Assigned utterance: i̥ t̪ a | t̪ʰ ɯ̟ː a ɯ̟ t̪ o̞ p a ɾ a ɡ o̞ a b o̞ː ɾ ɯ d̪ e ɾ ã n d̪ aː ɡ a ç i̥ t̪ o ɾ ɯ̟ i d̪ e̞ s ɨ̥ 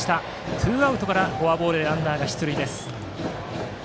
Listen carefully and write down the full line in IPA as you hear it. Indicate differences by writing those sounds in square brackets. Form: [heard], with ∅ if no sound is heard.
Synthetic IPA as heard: i̥ t̪ a | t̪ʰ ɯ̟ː a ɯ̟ t̪ o̞ [k] a ɾ a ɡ o̞ a b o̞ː ɾ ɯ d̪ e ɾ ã n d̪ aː ɡ a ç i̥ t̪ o ɾ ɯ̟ i d̪ e̞ s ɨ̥